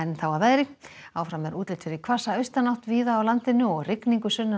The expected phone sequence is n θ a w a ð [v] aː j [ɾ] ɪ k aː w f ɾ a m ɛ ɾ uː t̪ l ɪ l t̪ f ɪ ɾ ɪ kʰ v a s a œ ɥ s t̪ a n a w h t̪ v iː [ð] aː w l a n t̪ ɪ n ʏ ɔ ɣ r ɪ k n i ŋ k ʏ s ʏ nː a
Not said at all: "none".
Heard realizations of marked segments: v, ɾ, ð

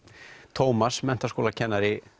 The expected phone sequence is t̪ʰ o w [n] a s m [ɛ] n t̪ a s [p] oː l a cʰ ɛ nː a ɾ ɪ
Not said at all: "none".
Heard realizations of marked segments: m, ɛ, k

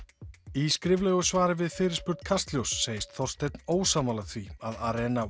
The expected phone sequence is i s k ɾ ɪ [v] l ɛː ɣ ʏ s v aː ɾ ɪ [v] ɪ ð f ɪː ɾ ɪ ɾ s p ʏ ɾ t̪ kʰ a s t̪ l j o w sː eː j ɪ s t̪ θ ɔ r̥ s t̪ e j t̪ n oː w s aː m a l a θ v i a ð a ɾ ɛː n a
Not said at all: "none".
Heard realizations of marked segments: v, v

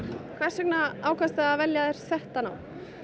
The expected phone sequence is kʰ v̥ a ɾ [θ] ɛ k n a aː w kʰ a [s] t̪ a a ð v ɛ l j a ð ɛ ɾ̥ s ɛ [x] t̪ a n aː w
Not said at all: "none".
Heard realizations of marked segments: s, s, h

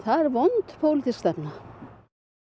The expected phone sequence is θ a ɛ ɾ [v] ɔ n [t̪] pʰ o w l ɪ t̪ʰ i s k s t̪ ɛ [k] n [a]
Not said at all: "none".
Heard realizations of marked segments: v, t̪, p, a

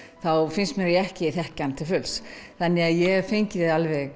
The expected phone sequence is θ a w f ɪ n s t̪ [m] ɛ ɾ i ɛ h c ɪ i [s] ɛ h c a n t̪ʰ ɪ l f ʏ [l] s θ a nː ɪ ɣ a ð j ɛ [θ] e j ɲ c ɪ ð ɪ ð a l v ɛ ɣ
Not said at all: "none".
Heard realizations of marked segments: m, θ, l, f

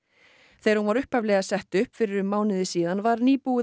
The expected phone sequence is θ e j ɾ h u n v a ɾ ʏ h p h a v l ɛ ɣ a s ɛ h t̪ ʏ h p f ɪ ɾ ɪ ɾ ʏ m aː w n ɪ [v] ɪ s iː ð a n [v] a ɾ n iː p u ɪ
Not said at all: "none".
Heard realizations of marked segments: ð, v

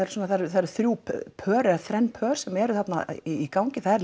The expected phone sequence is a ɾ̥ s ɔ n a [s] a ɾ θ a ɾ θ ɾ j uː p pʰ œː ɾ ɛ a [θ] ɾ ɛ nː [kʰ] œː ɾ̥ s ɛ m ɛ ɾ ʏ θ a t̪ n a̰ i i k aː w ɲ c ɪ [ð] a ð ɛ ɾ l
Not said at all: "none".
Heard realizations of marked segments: θ, θ, pʰ, θ

